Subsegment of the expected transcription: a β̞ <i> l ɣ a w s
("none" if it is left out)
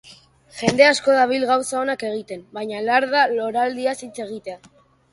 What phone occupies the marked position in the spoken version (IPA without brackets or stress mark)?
i